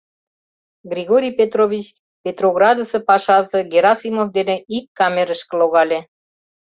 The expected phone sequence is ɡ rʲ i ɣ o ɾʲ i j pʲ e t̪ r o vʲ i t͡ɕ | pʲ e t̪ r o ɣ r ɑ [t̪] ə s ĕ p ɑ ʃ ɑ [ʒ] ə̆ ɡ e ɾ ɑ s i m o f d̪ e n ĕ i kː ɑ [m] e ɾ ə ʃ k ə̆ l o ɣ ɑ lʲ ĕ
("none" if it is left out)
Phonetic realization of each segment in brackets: d̪, z, m

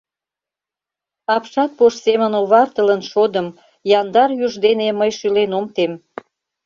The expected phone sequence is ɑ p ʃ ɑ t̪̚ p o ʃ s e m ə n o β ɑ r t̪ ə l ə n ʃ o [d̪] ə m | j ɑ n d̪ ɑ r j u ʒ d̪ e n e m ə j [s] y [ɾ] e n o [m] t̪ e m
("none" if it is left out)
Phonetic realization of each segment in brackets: d̪, ʃ, l, m

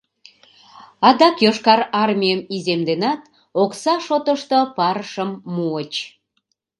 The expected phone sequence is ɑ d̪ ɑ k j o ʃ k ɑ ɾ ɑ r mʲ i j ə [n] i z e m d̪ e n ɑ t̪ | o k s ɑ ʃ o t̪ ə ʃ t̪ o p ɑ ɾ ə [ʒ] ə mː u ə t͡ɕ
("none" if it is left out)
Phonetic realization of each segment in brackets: m, ʃ

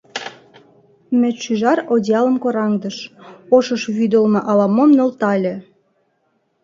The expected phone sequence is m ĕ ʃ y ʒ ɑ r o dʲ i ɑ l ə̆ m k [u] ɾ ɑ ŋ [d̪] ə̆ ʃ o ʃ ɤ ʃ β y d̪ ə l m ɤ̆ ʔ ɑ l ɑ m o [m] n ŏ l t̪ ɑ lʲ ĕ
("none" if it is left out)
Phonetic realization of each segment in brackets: o, d̪, m

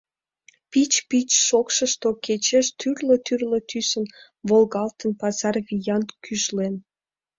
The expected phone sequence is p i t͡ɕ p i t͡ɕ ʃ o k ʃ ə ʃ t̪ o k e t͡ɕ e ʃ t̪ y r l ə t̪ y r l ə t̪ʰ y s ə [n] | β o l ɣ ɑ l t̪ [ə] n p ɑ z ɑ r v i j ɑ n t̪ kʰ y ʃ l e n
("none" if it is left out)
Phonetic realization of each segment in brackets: n, ə

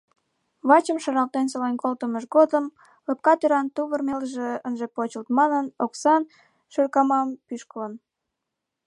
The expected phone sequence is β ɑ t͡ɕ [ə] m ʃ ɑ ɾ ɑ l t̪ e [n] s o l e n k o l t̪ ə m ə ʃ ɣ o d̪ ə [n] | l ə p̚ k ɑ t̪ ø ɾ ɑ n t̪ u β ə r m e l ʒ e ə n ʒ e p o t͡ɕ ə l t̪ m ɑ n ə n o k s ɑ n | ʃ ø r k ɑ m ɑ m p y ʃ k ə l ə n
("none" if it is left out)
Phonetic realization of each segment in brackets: ə, n, m

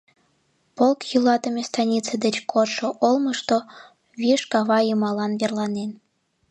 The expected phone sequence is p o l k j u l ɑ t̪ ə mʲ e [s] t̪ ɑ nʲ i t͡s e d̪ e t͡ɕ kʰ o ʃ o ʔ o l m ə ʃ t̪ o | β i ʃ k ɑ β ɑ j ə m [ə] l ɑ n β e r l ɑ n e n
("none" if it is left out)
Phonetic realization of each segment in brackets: s, ɑ

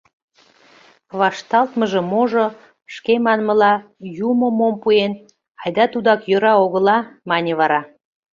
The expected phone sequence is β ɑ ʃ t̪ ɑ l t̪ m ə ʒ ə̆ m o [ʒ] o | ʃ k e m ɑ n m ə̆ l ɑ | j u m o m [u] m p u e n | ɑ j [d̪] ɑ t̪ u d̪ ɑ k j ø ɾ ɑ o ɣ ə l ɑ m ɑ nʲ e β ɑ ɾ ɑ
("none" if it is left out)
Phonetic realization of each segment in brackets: ʒ, o, d̪

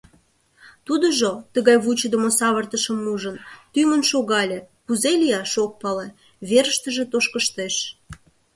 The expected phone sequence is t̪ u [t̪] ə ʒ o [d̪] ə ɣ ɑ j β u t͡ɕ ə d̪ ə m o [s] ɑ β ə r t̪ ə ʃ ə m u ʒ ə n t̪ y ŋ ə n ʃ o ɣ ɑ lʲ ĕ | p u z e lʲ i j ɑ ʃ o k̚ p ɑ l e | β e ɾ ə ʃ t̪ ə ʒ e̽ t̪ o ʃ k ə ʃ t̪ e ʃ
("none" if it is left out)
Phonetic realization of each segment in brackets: d̪, t̪, s

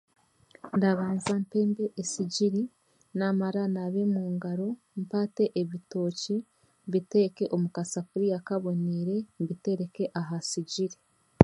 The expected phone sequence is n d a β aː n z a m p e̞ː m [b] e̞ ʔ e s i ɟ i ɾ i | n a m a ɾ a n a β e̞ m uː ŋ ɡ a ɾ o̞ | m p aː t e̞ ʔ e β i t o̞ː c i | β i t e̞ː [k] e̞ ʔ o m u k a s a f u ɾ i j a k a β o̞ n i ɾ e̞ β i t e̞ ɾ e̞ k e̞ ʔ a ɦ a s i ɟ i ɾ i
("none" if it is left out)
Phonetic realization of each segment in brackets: b, k

